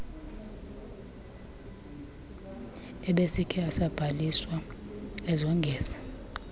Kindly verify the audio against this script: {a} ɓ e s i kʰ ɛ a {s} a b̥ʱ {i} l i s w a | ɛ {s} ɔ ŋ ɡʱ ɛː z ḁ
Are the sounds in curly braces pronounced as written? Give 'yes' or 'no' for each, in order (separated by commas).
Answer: no, yes, no, no